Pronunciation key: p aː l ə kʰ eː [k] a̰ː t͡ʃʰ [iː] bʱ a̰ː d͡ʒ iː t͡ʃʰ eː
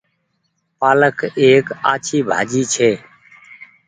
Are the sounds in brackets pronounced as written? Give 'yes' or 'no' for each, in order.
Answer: yes, yes

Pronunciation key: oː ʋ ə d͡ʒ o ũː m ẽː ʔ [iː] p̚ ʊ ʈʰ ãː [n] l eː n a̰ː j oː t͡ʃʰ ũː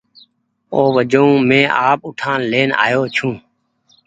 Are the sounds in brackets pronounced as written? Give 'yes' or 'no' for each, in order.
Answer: no, yes

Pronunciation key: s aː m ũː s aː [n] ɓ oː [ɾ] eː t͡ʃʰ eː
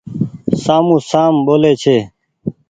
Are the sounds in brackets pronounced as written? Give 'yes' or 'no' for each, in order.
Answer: no, no

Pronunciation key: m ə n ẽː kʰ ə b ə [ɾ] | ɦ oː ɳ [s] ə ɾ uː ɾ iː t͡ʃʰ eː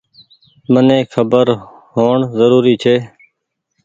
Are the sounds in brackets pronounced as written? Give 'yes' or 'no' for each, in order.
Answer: yes, no

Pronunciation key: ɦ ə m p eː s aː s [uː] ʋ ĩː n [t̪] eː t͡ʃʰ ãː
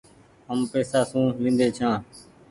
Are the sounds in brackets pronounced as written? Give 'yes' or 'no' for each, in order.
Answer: no, no

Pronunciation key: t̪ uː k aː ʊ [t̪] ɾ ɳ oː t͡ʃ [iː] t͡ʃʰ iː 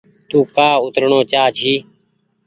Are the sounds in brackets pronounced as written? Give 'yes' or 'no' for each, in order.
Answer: yes, no

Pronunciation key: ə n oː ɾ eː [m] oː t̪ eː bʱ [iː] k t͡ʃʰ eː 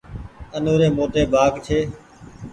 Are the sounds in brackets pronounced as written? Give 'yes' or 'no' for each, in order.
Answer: yes, no

